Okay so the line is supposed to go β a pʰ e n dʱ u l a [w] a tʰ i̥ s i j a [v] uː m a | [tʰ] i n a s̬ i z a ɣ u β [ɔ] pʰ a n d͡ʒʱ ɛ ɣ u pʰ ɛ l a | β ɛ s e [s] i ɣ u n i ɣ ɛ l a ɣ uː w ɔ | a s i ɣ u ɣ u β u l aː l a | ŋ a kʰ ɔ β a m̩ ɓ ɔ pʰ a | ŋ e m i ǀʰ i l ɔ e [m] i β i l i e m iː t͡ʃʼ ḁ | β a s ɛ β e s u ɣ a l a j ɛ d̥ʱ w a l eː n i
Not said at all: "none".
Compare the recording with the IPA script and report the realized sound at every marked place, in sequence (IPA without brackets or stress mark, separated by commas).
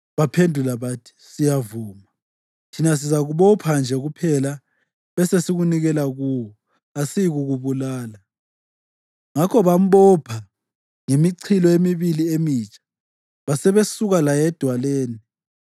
β, v, tʰ, ɔ, s, m